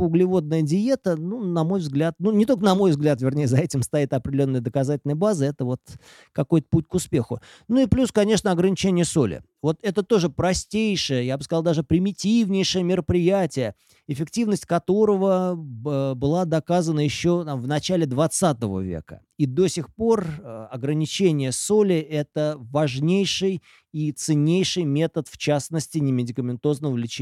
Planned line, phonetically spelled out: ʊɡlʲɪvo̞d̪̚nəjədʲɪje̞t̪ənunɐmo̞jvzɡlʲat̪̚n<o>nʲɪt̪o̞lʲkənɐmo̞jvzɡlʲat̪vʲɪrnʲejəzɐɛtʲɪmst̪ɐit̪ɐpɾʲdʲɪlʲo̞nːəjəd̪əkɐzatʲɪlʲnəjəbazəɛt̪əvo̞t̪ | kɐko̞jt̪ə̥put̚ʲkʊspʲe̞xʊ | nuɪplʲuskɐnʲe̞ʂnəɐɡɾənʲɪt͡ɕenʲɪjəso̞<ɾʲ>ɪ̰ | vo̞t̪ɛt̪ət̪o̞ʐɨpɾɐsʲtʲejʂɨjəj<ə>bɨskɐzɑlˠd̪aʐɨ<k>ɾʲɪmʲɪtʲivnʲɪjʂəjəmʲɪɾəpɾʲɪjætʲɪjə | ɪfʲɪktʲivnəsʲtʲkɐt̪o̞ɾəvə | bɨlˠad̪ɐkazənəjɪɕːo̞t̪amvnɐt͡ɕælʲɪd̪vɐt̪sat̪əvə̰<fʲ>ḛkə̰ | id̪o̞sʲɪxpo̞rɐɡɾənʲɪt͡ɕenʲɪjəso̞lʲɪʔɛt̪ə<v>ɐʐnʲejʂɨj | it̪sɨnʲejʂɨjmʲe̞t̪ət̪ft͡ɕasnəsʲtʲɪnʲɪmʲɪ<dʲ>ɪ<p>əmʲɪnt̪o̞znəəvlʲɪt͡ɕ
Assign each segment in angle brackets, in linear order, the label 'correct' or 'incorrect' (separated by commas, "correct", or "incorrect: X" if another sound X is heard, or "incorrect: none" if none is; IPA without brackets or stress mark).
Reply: incorrect: u, incorrect: lʲ, incorrect: a, incorrect: p, incorrect: vʲ, correct, correct, incorrect: k